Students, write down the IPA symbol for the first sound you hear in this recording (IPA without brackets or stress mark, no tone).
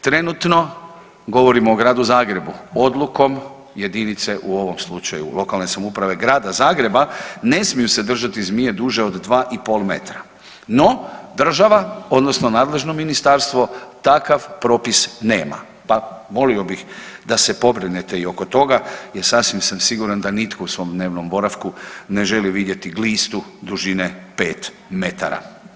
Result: t̪